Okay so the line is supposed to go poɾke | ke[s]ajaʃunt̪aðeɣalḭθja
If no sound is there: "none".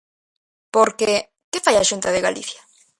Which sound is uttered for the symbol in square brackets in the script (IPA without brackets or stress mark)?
f